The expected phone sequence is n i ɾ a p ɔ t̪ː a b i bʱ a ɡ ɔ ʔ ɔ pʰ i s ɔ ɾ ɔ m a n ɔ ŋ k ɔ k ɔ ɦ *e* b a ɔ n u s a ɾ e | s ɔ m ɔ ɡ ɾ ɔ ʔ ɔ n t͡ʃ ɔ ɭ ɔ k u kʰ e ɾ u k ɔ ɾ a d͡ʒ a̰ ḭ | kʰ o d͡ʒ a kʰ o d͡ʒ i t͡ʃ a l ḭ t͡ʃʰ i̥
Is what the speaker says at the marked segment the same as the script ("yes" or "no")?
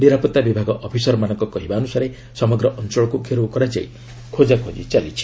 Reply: no